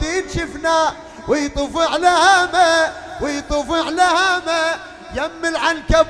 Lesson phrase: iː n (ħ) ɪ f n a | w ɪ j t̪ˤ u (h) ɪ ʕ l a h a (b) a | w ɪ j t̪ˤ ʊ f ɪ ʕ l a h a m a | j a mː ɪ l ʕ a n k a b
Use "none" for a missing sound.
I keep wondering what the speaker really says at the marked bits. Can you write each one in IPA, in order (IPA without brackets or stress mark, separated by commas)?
ʃ, f, m